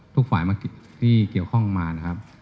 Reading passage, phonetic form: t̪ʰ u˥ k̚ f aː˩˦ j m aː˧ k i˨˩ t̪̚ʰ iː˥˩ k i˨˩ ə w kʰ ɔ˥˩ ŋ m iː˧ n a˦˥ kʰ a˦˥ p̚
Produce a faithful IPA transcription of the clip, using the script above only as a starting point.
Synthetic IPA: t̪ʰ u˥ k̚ f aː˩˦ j m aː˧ k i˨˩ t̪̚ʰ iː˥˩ k i˨˩ ə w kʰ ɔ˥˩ ŋ m aː˧ n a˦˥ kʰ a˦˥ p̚

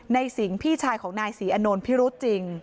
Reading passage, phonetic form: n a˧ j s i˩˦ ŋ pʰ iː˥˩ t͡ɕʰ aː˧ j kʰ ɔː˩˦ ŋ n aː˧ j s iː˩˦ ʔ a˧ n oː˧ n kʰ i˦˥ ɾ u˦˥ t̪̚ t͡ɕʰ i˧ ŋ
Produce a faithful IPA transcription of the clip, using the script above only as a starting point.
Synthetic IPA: n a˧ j s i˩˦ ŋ pʰ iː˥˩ t͡ɕʰ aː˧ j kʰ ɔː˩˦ ŋ n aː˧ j s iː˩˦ ʔ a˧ n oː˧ n pʰ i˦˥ ɾ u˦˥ t̪̚ t͡ɕ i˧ ŋ

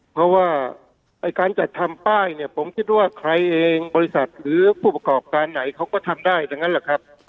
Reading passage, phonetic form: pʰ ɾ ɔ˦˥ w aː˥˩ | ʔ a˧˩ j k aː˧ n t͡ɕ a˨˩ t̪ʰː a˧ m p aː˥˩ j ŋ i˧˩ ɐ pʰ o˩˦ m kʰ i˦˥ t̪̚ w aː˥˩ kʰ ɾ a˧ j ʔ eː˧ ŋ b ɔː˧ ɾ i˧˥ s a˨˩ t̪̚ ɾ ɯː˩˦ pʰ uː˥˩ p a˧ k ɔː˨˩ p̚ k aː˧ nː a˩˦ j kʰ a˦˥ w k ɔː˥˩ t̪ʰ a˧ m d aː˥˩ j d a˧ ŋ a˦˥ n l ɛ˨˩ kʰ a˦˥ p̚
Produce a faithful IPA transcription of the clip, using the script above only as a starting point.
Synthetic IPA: pʰ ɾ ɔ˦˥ w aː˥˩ | ʔ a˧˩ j k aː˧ n t͡ɕ a˨˩ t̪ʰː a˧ m p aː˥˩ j n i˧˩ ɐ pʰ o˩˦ m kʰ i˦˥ t̪̚ w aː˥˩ kʰ ɾ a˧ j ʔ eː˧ ŋ b ɔː˧ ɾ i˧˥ s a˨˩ t̪̚ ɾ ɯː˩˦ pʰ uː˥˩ p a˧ k ɔː˨˩ p̚ k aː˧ nː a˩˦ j kʰ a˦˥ w k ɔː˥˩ t̪ʰ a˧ m d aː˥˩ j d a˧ ŋ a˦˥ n l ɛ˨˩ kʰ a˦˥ p̚

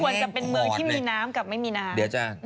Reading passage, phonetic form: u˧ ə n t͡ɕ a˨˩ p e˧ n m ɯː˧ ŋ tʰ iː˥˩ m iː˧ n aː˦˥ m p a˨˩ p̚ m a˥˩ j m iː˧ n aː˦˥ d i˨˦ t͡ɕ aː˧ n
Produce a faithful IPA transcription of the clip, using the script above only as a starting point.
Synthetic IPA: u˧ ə n t͡ɕ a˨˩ p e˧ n m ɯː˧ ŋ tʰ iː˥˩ m iː˧ n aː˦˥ m k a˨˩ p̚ m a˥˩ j m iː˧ n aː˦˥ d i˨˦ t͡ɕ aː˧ n

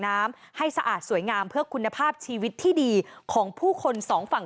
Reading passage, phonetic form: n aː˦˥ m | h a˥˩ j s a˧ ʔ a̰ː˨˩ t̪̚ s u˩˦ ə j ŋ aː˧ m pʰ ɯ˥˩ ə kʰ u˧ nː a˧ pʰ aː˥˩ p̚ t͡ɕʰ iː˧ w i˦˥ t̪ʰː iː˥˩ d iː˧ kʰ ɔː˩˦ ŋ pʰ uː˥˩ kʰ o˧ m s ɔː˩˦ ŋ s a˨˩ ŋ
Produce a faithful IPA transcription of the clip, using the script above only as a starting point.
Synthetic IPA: n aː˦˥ m | h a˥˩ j s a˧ ʔ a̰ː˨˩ t̪̚ s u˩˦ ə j ŋ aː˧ m pʰ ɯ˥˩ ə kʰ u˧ nː a˧ pʰ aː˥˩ p̚ t͡ɕʰ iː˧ w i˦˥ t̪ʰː iː˥˩ d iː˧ kʰ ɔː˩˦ ŋ pʰ uː˥˩ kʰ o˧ n s ɔː˩˦ ŋ f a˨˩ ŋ

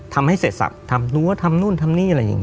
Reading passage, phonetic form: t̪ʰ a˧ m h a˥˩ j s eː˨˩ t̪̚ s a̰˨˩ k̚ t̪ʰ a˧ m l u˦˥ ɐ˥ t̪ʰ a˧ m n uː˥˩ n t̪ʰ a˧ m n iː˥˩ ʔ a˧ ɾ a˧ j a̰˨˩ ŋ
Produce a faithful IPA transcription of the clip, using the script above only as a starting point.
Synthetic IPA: t̪ʰ a˧ m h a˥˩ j s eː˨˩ t̪̚ s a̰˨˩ p̚ t̪ʰ a˧ m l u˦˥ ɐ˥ t̪ʰ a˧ m n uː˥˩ n t̪ʰ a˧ m n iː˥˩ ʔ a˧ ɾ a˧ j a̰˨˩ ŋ

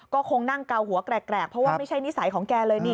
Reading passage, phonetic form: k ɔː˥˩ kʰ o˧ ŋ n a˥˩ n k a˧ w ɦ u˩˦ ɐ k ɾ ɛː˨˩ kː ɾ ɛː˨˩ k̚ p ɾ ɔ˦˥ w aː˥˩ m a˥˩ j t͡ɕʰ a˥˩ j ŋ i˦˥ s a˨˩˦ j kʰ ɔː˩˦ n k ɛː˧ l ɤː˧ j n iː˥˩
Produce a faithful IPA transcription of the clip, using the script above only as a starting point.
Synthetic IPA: k ɔː˥˩ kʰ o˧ ŋ n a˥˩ ŋ k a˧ w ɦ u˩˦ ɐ k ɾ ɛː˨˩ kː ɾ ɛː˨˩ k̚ pʰ ɾ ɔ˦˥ w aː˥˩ m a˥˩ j t͡ɕʰ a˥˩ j n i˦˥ s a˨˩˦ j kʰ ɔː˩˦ ŋ k ɛː˧ l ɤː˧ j n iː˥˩

